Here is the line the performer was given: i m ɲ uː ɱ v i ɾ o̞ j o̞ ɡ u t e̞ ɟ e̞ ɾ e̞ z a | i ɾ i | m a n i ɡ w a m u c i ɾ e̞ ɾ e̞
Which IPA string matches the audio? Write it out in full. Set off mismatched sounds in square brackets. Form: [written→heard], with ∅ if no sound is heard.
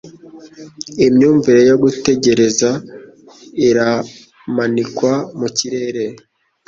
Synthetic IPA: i m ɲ uː ɱ v i ɾ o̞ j o̞ ɡ u t e̞ ɟ e̞ ɾ e̞ z a | i ɾ [i→a] | m a n i [ɡ→k] w a m u c i ɾ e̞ ɾ e̞

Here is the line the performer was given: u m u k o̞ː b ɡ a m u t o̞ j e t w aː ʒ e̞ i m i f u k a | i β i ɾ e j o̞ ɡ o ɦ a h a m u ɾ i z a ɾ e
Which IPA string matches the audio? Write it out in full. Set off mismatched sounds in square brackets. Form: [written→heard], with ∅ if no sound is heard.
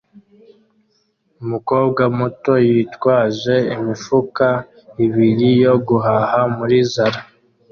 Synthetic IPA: u m u k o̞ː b ɡ a m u t o̞ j [e→i] t w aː ʒ e̞ i m i f u k a | i β i ɾ [e→i] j o̞ ɡ [o→u] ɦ a h a m u ɾ i z a ɾ [e→a]

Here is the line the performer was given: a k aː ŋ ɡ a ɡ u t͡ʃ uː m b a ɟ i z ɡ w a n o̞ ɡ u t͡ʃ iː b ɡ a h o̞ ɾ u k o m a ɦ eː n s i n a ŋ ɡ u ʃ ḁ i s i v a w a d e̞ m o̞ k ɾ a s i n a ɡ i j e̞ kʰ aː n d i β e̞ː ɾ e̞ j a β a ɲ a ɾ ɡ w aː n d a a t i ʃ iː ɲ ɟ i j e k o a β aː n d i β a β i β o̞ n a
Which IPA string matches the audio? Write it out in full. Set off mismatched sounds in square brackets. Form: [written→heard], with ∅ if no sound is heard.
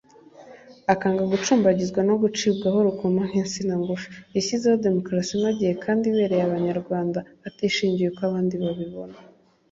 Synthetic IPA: a k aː ŋ ɡ a ɡ u t͡ʃ uː m b a ɟ i z ɡ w a n o̞ ɡ u t͡ʃ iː b ɡ a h o̞ ɾ u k o m a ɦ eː n s i n a ŋ ɡ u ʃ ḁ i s i [v→z] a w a d e̞ m o̞ k ɾ a s i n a [ɡ→ɟ] i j e̞ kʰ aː n d i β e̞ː ɾ e̞ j a β a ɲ a ɾ ɡ w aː n d a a t i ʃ iː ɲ ɟ i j e k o a β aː n d i β a β i β o̞ n a

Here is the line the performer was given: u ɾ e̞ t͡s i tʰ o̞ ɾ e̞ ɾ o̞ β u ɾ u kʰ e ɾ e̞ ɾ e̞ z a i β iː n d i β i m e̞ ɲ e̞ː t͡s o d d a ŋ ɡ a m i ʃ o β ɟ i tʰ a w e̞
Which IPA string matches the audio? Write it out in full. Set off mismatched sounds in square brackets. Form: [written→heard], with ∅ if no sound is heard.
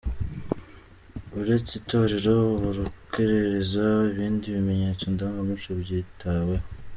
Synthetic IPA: u ɾ e̞ t͡s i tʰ o̞ ɾ e̞ ɾ o̞ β u ɾ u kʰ e ɾ e̞ ɾ e̞ z a i β iː n d i β i m e̞ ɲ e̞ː t͡s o [d→n] d a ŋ ɡ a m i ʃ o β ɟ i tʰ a w e̞

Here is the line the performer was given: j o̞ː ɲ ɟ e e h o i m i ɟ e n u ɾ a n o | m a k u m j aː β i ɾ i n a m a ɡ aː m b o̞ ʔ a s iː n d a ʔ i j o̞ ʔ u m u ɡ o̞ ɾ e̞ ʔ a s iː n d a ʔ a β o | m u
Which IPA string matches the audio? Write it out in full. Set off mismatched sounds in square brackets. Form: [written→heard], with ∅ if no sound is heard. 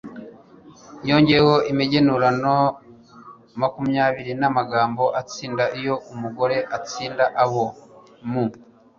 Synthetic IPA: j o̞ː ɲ ɟ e e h o i m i ɟ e n u ɾ a n o | m a k u m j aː β i ɾ i n a m a ɡ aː m b o̞ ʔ a [s→t͡s] iː n d a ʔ i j o̞ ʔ u m u ɡ o̞ ɾ e̞ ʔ a [s→t͡s] iː n d a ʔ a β o | m u

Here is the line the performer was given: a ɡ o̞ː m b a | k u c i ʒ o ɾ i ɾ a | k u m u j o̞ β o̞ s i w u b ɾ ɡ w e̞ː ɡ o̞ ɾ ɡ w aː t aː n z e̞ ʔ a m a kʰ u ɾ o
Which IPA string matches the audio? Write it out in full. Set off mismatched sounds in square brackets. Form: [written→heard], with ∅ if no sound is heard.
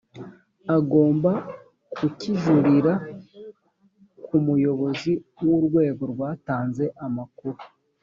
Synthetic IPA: a ɡ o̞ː m b a | k u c i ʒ [o→u] ɾ i ɾ a | k u m u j o̞ β o̞ [s→z] i w u [b→∅] ɾ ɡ w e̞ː ɡ o̞ ɾ ɡ w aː t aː n z e̞ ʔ a m a [kʰ→k] u ɾ [o→u]

